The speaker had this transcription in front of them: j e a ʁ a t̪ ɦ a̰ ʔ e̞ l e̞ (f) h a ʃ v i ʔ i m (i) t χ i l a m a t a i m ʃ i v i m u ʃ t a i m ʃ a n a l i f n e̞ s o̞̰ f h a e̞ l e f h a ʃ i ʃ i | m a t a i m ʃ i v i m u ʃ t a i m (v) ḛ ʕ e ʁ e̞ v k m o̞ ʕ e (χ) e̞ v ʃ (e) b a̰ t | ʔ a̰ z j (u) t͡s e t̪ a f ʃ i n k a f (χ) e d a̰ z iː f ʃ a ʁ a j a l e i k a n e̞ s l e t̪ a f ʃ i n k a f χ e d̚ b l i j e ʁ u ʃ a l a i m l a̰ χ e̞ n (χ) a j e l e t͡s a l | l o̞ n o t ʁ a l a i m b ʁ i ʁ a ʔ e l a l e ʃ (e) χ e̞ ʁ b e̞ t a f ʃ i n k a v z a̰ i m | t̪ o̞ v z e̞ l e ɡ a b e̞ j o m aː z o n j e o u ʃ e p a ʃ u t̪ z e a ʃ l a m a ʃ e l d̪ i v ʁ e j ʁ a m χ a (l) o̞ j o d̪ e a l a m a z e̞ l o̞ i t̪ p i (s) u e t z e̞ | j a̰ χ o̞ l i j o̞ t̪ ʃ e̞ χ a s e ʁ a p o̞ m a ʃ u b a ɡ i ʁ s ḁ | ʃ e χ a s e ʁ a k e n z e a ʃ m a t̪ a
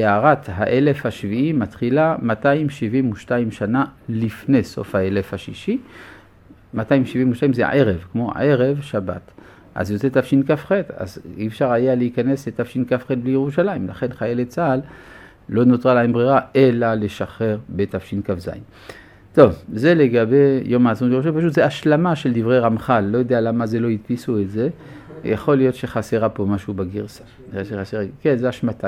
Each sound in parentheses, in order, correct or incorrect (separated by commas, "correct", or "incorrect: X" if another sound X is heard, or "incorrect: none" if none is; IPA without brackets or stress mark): correct, incorrect: a, incorrect: z, incorrect: ʁ, incorrect: a, incorrect: o, correct, correct, incorrect: a, incorrect: lː, correct